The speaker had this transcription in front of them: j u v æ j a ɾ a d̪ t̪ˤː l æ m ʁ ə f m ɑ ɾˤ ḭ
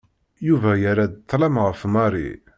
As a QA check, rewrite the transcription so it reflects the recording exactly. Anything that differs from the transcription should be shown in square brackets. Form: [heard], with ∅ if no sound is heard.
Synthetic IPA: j u v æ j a ɾ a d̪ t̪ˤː l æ m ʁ ə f m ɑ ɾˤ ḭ